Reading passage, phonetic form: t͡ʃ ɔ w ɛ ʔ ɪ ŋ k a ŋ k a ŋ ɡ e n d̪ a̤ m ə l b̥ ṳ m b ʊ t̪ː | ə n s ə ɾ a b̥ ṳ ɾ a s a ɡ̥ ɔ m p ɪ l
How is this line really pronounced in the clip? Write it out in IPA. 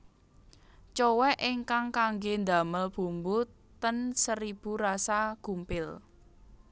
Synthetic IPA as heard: t͡ʃ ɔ w ɛ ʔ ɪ ŋ k a ŋ k a ŋ ɡ e n d̪ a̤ m ə l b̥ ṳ m b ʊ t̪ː | ə n s ə ɾ i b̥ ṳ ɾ a s a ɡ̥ u m p ɪ l